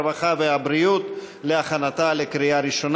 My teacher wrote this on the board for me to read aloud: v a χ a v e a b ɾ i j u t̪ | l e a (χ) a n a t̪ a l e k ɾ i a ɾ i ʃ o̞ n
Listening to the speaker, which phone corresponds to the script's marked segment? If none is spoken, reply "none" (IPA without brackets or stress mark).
χ